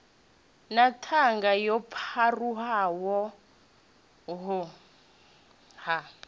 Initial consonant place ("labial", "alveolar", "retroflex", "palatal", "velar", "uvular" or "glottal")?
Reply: alveolar